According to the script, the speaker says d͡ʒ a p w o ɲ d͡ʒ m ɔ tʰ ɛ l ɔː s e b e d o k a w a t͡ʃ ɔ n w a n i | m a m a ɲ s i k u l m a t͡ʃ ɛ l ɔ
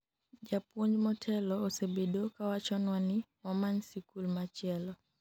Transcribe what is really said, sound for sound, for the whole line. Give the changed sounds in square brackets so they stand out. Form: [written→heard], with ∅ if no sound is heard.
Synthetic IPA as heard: d͡ʒ a p w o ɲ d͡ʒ m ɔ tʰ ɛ l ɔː s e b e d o k a w a t͡ʃ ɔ n w a n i | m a m a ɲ s i k u l m a t͡ʃ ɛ l ɔ